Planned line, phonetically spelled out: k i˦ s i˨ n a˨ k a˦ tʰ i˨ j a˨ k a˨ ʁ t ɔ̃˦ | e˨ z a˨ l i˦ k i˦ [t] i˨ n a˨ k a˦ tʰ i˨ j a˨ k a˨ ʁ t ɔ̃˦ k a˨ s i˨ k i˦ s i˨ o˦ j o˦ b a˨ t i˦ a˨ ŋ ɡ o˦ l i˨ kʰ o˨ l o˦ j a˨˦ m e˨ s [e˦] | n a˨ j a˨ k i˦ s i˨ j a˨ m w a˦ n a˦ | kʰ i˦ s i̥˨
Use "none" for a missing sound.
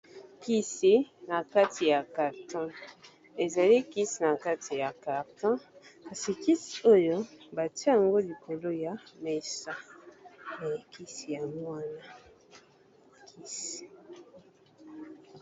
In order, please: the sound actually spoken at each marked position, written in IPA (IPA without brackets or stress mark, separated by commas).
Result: s, a˦